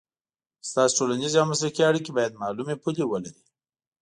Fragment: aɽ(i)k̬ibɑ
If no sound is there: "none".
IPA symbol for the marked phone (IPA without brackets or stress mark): i